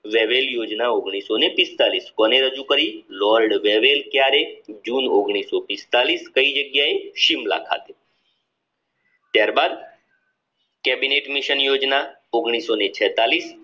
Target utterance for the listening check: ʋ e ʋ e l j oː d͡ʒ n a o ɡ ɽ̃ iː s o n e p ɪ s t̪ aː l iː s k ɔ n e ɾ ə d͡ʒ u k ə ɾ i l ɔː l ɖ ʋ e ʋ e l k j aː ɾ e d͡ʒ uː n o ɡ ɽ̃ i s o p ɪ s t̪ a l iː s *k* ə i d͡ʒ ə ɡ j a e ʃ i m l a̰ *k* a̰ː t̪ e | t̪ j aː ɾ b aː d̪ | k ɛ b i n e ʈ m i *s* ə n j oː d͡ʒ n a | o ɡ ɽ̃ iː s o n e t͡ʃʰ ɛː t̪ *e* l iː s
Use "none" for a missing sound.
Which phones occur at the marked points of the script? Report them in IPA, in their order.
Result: k, kʰ, ʃ, a

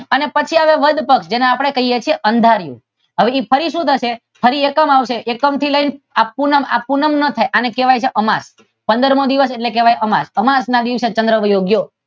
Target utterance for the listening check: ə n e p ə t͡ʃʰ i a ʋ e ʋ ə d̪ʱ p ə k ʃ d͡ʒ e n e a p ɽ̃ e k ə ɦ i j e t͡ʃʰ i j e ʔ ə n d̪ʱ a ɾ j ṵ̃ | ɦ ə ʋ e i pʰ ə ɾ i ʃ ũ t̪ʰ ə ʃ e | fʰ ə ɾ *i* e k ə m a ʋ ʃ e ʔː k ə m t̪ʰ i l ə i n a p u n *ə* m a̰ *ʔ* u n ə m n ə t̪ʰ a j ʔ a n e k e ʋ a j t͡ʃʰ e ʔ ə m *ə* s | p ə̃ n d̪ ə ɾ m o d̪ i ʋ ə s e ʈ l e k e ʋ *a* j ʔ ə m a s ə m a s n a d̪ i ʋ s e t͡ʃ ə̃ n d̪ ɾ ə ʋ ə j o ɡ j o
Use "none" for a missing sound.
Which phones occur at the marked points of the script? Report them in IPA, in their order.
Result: i, ə, p, a, a

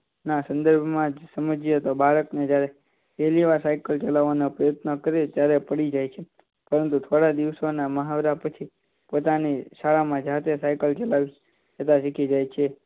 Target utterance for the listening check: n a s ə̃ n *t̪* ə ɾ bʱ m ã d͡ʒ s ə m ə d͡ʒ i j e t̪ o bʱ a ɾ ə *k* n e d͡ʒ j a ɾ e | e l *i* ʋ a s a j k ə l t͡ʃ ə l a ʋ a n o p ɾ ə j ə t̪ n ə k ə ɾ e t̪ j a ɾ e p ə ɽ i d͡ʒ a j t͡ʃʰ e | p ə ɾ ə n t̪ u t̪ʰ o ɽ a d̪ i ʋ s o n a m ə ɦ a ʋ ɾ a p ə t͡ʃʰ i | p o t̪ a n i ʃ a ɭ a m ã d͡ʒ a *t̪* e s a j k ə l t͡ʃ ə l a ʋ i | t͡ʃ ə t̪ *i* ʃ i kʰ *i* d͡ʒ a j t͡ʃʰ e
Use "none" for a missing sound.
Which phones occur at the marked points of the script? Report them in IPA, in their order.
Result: d̪, k, i, t̪, a, i

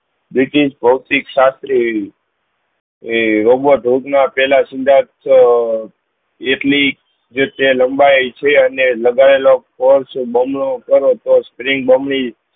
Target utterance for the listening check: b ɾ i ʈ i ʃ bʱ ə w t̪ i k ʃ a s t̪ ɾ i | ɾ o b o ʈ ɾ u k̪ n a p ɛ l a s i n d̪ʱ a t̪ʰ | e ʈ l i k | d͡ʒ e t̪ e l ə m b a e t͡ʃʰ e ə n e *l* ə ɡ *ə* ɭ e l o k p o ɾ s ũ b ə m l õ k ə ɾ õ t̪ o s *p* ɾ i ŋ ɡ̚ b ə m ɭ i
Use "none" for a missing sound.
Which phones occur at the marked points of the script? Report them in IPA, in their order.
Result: l, a, p

